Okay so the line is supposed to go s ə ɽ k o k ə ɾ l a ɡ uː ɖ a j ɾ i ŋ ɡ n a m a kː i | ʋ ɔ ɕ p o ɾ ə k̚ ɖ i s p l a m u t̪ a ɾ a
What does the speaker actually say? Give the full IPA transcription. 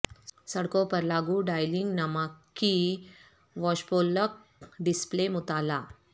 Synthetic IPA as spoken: s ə ɽ k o p ə ɾ l a ɡ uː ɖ a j l i ŋ ɡ n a m a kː i | ʋ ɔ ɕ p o l ə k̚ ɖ i s p l e m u t̪ a l a